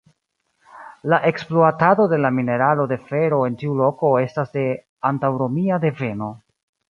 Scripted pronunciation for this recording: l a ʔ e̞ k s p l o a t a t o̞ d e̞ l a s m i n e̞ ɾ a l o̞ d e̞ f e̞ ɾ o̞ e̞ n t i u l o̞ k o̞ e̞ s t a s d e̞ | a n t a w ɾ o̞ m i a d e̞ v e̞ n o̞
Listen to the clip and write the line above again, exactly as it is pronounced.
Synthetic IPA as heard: l a ʔ e̞ k s p l o a t a d o̞ d e̞ l a m i n e̞ ɾ a l o̞ d e̞ f e̞ ɾ o̞ e̞ n t i u l o̞ k o̞ e̞ s t a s d e̞ | a n t a w ɾ o̞ m i a d e̞ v e̞ n o̞

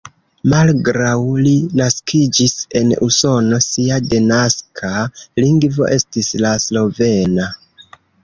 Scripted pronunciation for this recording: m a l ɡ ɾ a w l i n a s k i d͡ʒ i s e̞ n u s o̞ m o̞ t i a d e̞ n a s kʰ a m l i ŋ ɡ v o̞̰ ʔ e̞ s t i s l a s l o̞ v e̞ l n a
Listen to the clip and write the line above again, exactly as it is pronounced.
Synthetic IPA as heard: m a l ɡ ɾ a w l i n a s k i d͡ʒ i s e̞ n u s o̞ n o̞ s i a d e̞ n a s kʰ a l i ŋ ɡ v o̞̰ ʔ e̞ s t i s l a s l o̞ v e̞ n a

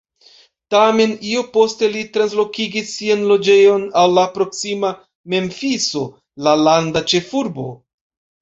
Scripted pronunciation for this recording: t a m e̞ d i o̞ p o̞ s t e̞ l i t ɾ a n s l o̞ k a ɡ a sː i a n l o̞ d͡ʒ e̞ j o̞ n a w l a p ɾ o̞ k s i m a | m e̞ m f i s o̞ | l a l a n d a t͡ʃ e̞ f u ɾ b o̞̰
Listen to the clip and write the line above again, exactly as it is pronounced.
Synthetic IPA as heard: t a m e̞ n i o̞ p o̞ s t e̞ l i t ɾ a n s l o̞ k i ɡ i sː i a n l o̞ d͡ʒ e̞ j o̞ n a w l a p ɾ o̞ k s i m a | m e̞ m f i s o̞ | l a l a n d a t͡ʃ e̞ f u ɾ b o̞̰

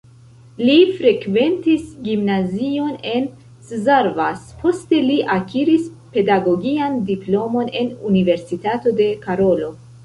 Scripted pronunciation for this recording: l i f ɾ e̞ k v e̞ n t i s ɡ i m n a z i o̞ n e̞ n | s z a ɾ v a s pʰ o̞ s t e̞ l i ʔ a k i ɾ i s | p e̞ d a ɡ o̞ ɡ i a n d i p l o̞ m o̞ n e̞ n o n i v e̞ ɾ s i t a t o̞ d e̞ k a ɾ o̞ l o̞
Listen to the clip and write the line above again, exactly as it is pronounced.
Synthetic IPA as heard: l i f ɾ e̞ k v e̞ n t i s ɡ i m n a z i o̞ n e̞ n | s z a ɾ v a s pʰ o̞ s t e̞ l i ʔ a k i ɾ i s | p e̞ d a ɡ o̞ ɡ i a n d i p l o̞ m o̞ n e̞ n u n i v e̞ ɾ s i t a t o̞ d e̞ k a ɾ o̞ l o̞

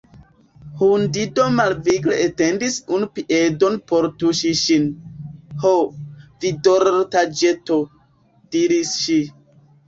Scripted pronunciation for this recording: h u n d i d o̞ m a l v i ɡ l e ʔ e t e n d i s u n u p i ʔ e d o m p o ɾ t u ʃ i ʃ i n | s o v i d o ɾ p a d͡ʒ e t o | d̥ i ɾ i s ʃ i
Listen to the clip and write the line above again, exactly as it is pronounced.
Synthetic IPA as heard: h u n d i d o̞ m a l v i ɡ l e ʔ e t e n d i s u n u p i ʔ e d o n p o ɾ t u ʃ i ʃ i n | h o v i d o ɾ t a d͡ʒ e t o | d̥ i ɾ i s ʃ i

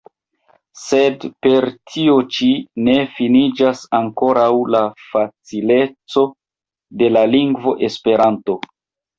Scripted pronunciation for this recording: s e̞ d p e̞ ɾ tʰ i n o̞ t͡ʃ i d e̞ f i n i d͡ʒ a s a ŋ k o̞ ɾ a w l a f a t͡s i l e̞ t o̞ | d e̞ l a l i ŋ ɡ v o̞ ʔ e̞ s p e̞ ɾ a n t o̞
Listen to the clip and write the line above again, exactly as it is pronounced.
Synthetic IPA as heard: s e̞ d p e̞ ɾ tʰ i o̞ t͡ʃ i n e̞ f i n i d͡ʒ a s a ŋ k o̞ ɾ a w l a f a t͡s i l e̞ t͡s o̞ | d e̞ l a l i ŋ ɡ v o̞ ʔ e̞ s p e̞ ɾ a n t o̞

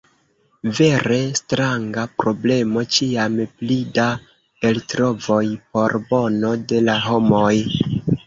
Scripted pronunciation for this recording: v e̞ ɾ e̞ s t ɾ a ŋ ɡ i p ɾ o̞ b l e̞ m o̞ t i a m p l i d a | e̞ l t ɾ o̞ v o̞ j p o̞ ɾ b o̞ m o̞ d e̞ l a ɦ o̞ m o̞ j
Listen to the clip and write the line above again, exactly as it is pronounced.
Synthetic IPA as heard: v e̞ ɾ e̞ s t ɾ a ŋ ɡ a p ɾ o̞ b l e̞ m o̞ t͡ʃ i a m p l i d a | e̞ l t ɾ o̞ v o̞ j p o̞ ɾ b o̞ n o̞ d e̞ l a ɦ o̞ m o̞ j

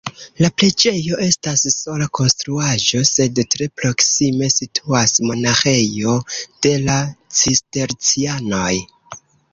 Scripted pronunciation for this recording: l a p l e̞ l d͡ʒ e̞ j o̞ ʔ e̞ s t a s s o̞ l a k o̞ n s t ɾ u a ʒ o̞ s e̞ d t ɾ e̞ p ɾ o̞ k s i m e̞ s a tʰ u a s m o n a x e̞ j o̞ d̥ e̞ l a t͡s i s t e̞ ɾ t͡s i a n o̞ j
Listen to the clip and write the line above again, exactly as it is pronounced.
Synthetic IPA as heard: l a p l e̞ d͡ʒ e̞ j o̞ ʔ e̞ s t a s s o̞ l a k o̞ n s t ɾ u a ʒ o̞ s e̞ d t ɾ e̞ p ɾ o̞ k s i m e̞ s i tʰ u a s m o n a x e̞ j o̞ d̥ e̞ l a t͡s i s t e̞ ɾ t͡s i a n o̞ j

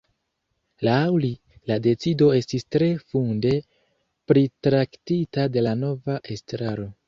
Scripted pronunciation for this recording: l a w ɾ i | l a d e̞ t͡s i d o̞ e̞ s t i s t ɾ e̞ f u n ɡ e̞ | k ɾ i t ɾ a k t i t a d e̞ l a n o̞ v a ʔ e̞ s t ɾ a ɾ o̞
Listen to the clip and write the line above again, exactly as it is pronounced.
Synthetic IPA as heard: l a w l i | l a d e̞ t͡s i d o̞ e̞ s t i s t ɾ e̞ f u n d e̞ | p ɾ i t ɾ a k t i t a d e̞ l a n o̞ v a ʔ e̞ s t ɾ a ɾ o̞

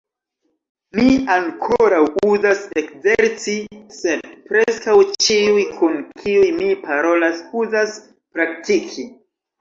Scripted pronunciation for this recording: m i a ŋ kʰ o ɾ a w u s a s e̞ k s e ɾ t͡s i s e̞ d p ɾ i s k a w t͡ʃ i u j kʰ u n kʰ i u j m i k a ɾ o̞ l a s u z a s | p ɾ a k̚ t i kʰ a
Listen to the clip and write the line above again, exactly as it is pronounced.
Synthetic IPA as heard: m i a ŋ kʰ o ɾ a w u z a s e̞ k z e ɾ t͡s i s e̞ d p ɾ e s k a w t͡ʃ i u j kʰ u n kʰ i u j m i p a ɾ o̞ l a s u z a s | p ɾ a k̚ t i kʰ i

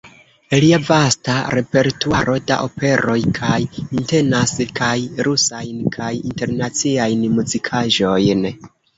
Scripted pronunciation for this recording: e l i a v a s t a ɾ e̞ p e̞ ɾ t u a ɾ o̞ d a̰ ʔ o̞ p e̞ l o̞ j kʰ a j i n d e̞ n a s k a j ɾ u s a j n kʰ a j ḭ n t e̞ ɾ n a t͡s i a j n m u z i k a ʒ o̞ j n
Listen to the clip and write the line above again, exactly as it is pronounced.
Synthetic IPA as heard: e l i a v a s t a ɾ e̞ p e̞ ɾ t u a ɾ o̞ d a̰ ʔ o̞ p e̞ ɾ o̞ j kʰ a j i n t e̞ n a s k a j ɾ u s a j n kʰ a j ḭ n t e̞ ɾ n a t͡s i a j n m u z i kʰ a ʒ o̞ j n

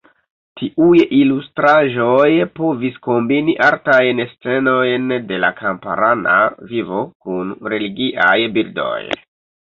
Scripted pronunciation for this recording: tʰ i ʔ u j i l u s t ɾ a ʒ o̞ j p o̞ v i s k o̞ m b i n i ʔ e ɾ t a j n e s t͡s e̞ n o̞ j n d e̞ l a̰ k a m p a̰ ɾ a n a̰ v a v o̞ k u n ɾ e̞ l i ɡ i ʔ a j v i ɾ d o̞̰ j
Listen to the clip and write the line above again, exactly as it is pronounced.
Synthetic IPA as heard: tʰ i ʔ u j i l u s t ɾ a ʒ o̞ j p o̞ v i s k o̞ m b i n i ʔ a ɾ t a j n e s t͡s e̞ n o̞ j n d e̞ l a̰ k a m p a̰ ɾ a n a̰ v i v o̞ k u n ɾ e̞ l i ɡ i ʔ a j b i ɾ d o̞̰ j

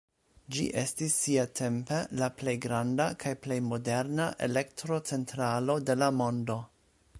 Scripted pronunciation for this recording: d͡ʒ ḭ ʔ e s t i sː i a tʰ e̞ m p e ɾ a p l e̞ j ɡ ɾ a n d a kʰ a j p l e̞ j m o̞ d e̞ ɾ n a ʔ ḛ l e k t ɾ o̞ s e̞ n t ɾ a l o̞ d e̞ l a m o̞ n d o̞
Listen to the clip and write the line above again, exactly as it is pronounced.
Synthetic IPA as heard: d͡ʒ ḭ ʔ e s t i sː i a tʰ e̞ m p e l a p l e̞ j ɡ ɾ a n d a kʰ a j p l e̞ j m o̞ d e̞ ɾ n a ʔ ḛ l e k t ɾ o̞ t͡s e̞ n t ɾ a l o̞ d e̞ l a m o̞ n d o̞

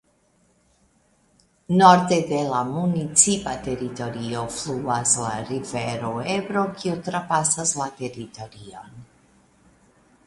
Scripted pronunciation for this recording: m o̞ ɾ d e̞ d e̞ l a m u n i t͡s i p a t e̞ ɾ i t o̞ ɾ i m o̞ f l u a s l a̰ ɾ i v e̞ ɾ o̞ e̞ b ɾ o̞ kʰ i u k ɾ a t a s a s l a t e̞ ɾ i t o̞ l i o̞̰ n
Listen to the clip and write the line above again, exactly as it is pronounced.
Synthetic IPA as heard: n o̞ ɾ d e̞ d e̞ l a m u n i t͡s i p a t e̞ ɾ i t o̞ ɾ i o̞ f l u a s l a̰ ɾ i v e̞ ɾ o̞ e̞ b ɾ o̞ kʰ i u t ɾ a p a s a s l a t e̞ ɾ i t o̞ ɾ i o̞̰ n

